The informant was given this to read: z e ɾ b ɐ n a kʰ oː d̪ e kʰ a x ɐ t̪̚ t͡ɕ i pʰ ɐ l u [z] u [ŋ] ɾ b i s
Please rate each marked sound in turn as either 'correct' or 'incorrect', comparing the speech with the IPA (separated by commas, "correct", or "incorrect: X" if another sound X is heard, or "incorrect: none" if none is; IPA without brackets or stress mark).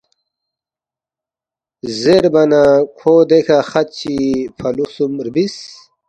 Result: incorrect: s, incorrect: m